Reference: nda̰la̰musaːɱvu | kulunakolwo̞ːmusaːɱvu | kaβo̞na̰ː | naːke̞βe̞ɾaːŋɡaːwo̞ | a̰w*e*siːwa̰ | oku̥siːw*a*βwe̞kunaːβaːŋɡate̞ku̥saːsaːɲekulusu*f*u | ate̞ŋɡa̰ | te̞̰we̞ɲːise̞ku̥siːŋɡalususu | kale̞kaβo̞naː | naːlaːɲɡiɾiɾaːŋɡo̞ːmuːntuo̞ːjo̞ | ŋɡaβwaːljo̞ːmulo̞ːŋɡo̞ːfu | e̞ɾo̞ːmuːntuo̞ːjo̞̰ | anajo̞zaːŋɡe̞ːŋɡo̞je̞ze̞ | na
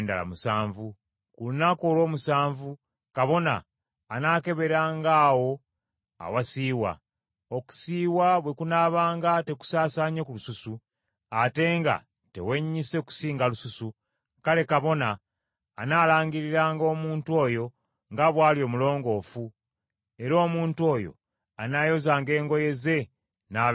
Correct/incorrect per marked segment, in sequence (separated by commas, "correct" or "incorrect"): incorrect, correct, incorrect